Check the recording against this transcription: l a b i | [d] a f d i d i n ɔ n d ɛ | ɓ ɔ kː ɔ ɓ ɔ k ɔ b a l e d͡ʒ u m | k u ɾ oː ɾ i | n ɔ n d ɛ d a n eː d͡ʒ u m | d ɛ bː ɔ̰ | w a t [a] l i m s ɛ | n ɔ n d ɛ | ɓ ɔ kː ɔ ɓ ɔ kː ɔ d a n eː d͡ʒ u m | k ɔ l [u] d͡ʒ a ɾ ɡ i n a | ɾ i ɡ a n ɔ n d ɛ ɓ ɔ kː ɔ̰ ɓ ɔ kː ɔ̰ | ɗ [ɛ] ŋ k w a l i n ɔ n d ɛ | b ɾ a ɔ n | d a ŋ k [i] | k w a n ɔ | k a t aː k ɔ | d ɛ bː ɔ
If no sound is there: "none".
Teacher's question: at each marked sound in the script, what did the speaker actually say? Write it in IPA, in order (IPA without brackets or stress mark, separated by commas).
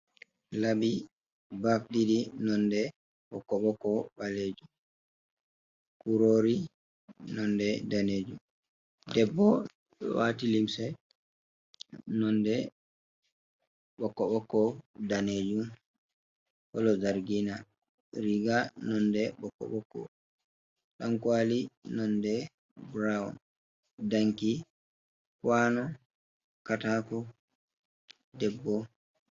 b, i, ɔ, a, i